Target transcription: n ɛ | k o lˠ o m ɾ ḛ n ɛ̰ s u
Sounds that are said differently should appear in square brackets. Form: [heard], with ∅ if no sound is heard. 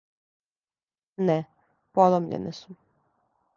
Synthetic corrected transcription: n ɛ | [p] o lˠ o m [ʎ] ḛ n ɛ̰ s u